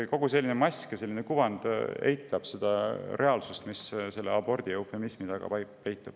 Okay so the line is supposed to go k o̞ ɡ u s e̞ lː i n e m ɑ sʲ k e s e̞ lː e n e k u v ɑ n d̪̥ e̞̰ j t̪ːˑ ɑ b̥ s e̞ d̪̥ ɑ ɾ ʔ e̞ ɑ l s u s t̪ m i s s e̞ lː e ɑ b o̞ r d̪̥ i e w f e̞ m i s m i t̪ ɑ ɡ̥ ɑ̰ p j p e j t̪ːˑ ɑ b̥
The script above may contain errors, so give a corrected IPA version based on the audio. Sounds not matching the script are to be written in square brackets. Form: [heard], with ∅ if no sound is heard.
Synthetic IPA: k o̞ ɡ u s e̞ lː i n e m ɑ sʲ k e s e̞ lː [i] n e k u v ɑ n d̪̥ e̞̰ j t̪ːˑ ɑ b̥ s e̞ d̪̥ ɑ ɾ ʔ e̞ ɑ l s u s t̪ m i s s e̞ lː e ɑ b o̞ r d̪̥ i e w f e̞ m i s m i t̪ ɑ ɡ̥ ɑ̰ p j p e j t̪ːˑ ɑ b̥